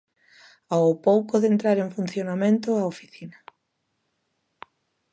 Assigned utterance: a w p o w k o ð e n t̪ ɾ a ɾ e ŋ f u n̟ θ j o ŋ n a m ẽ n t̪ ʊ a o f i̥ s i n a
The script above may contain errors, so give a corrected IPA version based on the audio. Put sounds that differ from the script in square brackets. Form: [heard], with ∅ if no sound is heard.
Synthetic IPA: a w p o w k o ð e n t̪ ɾ a ɾ e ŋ f u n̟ θ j o [∅] n a m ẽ n t̪ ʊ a o f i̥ [θ] i n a